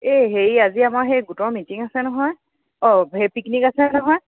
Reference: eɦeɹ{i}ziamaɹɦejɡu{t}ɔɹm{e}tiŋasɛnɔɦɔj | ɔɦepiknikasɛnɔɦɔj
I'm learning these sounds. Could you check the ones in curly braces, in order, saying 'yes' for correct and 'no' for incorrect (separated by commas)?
no, yes, no